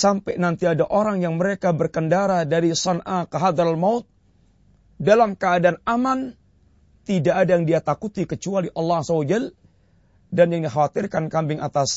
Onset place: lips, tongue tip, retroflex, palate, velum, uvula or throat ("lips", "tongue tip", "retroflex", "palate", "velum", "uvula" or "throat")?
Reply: tongue tip